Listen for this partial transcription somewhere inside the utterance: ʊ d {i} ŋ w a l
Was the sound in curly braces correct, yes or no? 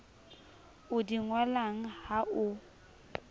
yes